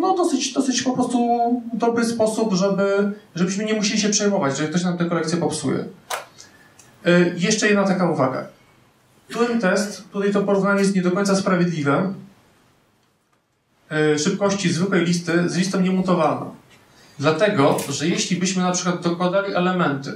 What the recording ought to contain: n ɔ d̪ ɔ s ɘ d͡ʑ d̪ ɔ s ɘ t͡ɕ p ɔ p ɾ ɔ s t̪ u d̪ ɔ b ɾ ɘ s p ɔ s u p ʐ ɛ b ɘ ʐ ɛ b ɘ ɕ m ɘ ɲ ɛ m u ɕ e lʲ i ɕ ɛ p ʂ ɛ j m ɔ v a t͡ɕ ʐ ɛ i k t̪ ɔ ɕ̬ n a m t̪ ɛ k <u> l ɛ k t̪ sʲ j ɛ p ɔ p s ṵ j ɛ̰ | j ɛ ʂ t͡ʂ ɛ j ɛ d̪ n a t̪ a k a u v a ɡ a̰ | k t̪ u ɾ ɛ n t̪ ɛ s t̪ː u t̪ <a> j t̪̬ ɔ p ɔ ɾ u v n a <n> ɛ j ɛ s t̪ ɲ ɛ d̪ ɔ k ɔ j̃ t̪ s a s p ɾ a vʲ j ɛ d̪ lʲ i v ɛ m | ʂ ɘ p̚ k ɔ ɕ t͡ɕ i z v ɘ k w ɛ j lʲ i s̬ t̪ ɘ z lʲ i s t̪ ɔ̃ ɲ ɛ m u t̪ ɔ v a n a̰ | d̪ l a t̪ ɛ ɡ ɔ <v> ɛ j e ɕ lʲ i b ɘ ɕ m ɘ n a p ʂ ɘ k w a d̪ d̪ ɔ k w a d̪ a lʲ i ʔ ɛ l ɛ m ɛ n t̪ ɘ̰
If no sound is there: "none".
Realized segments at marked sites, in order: ɔ, a, ɲ, ʐ

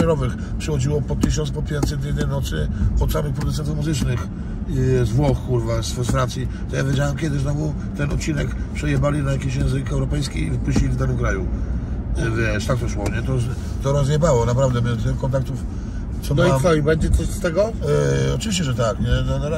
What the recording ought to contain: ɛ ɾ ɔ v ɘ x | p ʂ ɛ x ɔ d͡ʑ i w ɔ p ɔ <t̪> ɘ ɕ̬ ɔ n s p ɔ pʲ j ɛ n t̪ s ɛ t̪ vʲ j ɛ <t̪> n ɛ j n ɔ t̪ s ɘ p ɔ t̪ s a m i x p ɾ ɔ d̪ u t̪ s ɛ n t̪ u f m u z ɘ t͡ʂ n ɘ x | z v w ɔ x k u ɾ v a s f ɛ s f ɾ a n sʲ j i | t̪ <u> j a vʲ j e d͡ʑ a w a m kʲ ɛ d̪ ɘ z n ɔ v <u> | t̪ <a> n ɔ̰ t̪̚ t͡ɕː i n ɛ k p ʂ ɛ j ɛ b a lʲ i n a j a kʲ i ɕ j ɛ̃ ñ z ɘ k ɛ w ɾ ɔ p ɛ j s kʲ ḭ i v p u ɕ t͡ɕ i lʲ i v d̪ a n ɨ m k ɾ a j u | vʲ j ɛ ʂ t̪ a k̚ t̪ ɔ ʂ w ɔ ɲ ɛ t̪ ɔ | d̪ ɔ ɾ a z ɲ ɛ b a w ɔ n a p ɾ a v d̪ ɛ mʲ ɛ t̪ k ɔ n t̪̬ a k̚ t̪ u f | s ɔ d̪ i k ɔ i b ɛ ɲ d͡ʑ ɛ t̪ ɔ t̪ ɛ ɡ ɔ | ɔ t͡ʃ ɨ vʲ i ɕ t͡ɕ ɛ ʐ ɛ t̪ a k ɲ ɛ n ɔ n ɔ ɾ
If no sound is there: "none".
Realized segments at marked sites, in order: t̪, d̪, ɔ, u, ɛ

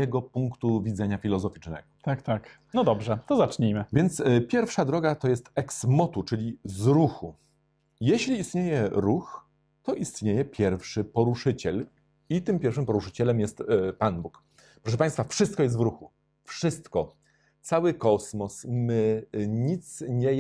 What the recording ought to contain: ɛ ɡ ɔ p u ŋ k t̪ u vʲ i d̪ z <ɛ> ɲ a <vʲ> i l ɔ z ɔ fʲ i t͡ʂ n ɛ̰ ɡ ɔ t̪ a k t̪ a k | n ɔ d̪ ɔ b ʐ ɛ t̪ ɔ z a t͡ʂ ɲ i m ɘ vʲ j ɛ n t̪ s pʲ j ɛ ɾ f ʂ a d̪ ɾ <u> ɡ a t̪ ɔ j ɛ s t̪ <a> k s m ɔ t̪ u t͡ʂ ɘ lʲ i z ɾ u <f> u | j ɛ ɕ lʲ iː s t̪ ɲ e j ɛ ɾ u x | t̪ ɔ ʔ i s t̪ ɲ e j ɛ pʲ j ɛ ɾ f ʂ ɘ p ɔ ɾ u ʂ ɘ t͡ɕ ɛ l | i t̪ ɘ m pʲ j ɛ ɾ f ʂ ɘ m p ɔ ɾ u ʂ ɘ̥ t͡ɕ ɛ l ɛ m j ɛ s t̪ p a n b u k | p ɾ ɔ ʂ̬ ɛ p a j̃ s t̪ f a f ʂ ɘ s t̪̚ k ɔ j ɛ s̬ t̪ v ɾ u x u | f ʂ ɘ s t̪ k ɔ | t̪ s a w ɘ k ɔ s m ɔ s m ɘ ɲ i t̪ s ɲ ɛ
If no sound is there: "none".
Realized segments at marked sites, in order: ɛ, fʲ, ɔ, ɛ, x

